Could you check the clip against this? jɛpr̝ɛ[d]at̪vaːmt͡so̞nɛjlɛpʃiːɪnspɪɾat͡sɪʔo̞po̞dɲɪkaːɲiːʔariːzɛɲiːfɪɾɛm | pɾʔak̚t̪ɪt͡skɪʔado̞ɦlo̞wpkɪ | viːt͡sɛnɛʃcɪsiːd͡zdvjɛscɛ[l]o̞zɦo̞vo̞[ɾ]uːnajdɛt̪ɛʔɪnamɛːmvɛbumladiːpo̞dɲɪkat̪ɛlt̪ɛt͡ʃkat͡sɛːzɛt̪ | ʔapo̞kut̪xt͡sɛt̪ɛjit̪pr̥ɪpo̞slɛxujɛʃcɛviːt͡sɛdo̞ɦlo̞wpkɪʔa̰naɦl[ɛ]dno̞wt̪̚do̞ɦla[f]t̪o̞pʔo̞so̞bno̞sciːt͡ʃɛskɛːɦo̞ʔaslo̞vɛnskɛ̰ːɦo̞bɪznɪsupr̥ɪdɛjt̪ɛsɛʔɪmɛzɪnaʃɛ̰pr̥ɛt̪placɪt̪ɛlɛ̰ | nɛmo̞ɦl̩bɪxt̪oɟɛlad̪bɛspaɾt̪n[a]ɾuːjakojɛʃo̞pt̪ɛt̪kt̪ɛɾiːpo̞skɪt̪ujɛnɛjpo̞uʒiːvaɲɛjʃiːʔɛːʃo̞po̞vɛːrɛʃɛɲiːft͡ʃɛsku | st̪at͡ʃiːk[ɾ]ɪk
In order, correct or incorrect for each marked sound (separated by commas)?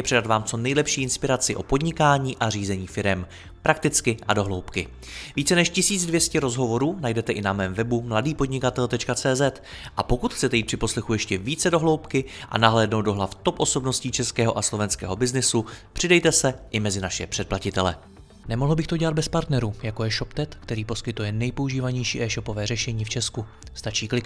correct, incorrect, correct, incorrect, correct, incorrect, incorrect